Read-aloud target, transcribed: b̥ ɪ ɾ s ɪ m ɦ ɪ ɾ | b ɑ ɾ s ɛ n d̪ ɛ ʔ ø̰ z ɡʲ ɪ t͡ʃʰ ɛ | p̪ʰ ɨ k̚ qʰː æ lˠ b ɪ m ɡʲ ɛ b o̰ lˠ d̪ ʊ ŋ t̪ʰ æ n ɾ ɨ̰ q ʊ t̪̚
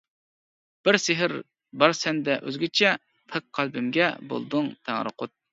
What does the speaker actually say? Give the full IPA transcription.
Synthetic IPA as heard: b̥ ɪ ɾ s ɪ ɦ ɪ ɾ | b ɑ ɾ s ɛ n d̪ ɛ ʔ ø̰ z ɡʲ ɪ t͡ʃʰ ɛ | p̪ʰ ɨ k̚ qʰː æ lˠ b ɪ m ɡʲ ɛ b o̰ lˠ d̪ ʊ ŋ t̪ʰ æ ŋ ɾ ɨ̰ q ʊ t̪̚